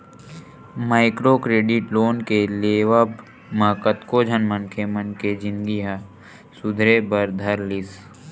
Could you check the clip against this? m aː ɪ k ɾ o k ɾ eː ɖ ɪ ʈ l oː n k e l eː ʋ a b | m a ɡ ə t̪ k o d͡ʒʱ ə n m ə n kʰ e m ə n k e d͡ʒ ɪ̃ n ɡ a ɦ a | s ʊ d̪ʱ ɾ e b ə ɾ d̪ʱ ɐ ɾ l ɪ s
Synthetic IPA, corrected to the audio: m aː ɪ k ɾ o k ɾ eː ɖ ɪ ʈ l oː n k e l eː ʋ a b | m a k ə t̪ k o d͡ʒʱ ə n m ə n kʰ e m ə n k e d͡ʒ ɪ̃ n ɡ i ɦ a | s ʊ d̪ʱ ɾ e b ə ɾ d̪ʱ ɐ ɾ l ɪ s